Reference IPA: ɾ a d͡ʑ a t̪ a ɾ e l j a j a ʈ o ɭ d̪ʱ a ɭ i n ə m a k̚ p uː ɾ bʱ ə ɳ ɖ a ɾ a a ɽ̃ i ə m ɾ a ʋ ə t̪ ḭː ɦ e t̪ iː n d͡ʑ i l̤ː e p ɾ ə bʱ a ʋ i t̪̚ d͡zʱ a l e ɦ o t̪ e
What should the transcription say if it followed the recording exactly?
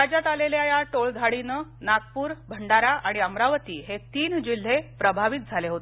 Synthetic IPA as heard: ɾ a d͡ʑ a t̪ a l e l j a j a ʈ o ɭ d̪ʱ a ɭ i n ə n a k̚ p uː ɾ bʱ ə ɳ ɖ a ɾ a a ɽ̃ i ə m ɾ a ʋ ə t̪ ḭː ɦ e t̪ iː n d͡ʑ i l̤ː e p ɾ ə bʱ a ʋ i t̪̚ d͡zʱ a l e ɦ o t̪ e